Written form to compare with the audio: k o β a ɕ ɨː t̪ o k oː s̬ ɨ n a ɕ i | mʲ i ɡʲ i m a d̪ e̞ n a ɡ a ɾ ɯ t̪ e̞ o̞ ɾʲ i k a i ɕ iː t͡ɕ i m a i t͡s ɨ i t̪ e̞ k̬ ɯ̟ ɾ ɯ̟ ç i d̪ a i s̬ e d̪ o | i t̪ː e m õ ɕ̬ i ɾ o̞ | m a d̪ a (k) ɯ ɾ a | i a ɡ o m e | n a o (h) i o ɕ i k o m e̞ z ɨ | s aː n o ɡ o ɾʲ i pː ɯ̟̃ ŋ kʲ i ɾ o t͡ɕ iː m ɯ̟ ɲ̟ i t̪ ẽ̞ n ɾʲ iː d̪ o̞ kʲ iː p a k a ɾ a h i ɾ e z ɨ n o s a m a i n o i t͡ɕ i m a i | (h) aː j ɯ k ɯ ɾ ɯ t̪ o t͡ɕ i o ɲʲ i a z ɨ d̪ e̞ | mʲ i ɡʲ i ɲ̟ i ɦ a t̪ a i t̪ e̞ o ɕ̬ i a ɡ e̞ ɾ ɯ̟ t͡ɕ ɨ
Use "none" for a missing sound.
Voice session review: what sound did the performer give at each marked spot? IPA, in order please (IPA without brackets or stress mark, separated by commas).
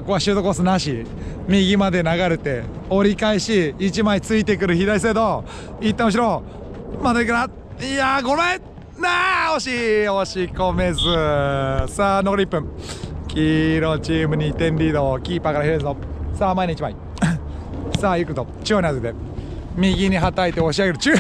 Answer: k, ɕ, s